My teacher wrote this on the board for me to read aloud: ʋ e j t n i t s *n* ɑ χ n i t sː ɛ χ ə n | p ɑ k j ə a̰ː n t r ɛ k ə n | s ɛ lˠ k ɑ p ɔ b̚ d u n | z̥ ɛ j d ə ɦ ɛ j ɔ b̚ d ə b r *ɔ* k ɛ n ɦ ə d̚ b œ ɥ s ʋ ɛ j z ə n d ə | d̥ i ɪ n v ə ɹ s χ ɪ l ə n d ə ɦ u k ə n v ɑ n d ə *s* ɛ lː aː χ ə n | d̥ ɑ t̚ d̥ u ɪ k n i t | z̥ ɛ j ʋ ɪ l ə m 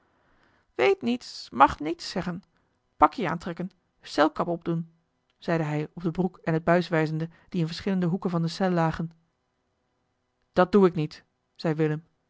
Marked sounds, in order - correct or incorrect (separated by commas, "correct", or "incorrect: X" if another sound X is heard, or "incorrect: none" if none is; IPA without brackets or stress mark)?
incorrect: m, incorrect: u, correct